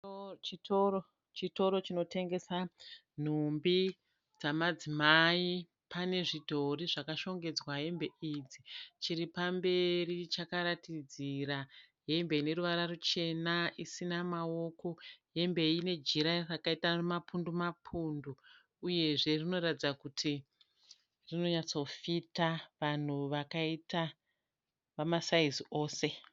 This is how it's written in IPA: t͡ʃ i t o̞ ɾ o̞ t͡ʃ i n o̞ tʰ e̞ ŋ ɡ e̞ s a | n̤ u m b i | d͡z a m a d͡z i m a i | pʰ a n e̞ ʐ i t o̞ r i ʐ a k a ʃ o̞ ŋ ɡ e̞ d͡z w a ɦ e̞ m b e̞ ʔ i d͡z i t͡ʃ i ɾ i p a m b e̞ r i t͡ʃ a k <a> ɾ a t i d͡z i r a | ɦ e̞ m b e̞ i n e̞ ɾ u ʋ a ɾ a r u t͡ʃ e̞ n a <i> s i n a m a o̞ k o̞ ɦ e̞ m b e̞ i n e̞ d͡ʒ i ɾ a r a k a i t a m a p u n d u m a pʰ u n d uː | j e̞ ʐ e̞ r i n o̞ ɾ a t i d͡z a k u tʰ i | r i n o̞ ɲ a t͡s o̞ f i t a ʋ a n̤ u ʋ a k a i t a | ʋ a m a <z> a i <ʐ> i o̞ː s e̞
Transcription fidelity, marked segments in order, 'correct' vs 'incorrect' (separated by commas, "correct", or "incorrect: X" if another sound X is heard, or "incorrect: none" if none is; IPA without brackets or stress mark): correct, correct, incorrect: s, incorrect: z